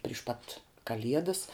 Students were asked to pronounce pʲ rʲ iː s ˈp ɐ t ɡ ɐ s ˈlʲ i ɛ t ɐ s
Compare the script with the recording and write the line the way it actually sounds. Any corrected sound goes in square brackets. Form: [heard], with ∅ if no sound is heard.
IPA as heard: pʲ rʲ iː [ʃ] ˈp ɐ t [k] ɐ [∅] ˈlʲ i ɛ [d] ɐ s